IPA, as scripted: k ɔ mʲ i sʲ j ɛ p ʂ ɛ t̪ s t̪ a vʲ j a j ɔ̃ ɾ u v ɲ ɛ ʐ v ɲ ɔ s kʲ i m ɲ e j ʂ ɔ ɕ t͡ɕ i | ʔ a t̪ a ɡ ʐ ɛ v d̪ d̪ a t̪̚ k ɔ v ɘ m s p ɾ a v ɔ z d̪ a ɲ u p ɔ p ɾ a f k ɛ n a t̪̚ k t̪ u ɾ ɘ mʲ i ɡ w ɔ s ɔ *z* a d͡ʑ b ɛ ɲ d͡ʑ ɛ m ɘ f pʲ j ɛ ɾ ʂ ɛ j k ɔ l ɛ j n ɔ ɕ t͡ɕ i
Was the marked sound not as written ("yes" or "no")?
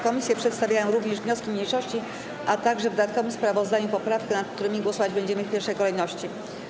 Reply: yes